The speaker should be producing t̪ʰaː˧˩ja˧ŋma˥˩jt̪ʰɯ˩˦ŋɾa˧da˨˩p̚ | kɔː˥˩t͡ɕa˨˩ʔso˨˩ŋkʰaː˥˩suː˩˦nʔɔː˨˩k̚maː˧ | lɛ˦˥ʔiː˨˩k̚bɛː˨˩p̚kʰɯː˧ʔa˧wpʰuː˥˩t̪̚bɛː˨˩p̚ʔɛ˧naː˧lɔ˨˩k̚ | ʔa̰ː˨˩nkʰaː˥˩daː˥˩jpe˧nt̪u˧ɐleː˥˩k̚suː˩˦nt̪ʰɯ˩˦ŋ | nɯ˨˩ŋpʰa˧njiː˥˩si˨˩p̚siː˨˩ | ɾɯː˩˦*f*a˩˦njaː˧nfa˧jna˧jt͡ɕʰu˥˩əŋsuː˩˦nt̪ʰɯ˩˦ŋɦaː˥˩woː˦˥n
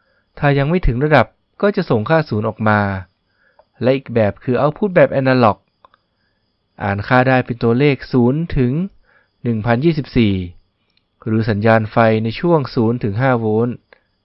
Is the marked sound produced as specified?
no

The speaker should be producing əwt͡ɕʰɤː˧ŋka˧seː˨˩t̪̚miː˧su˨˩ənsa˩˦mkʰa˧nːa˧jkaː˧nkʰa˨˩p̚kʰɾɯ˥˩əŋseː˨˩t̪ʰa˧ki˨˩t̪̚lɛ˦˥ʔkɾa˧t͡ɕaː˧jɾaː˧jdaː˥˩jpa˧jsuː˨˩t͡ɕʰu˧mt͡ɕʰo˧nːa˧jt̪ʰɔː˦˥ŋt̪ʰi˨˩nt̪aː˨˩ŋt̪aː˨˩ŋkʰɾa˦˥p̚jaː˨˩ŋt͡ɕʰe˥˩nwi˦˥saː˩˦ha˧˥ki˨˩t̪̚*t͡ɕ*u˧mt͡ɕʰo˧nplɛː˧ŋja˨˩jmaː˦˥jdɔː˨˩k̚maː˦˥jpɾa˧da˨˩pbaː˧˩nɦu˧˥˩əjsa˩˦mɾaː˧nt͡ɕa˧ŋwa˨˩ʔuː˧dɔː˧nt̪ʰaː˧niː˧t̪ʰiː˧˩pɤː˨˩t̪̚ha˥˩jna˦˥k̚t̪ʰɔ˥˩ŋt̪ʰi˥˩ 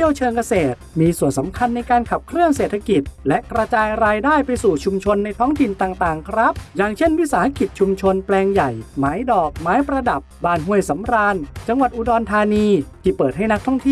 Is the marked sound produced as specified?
no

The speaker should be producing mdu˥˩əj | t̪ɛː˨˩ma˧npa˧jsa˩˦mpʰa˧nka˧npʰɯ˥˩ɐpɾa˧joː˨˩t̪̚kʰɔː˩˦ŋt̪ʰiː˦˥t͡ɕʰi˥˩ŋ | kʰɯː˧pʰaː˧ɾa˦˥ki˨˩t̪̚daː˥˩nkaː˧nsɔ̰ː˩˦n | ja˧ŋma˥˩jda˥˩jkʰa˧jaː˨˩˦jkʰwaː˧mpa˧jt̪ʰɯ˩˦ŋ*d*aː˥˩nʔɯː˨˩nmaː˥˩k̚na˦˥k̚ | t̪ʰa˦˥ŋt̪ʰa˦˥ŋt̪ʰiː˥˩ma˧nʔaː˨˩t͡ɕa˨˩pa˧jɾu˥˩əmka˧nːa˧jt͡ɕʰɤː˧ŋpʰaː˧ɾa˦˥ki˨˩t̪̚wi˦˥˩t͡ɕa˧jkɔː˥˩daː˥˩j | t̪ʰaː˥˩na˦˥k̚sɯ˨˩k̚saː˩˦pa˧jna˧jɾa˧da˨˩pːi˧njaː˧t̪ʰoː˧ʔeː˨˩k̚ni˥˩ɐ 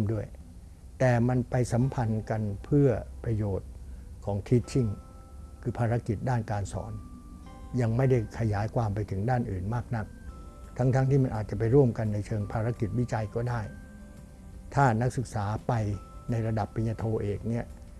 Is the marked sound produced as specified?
yes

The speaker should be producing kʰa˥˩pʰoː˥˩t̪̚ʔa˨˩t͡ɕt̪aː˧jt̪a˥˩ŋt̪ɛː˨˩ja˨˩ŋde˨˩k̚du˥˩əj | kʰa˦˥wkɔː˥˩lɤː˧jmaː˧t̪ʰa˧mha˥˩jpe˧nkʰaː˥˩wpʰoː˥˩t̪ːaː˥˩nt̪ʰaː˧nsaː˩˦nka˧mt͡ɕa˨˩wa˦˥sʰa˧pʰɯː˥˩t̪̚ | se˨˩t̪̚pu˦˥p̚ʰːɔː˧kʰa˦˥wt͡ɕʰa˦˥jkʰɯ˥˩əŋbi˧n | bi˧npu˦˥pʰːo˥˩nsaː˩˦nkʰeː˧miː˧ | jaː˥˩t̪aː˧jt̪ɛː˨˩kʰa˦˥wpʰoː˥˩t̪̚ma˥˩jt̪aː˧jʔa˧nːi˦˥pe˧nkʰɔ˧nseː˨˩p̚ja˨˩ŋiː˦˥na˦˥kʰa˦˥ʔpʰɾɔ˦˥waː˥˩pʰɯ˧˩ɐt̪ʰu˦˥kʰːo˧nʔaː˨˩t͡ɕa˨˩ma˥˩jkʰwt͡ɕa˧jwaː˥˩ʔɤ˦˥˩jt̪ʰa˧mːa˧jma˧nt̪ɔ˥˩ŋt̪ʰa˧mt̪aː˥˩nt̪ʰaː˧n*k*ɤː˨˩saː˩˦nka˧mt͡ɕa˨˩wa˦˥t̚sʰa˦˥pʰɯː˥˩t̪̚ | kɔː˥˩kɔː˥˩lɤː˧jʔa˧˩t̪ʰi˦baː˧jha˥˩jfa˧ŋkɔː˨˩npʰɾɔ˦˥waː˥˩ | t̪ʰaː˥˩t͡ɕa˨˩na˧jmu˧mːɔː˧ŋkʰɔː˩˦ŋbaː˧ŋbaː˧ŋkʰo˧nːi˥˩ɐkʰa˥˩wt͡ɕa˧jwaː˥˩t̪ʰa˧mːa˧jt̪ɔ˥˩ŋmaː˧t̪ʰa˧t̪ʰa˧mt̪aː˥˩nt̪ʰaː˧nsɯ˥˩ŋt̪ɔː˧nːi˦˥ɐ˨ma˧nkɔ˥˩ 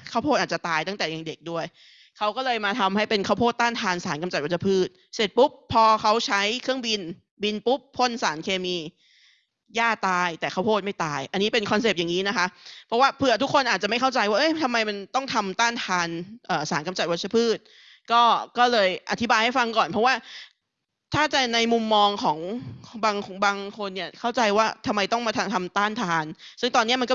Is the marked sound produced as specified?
no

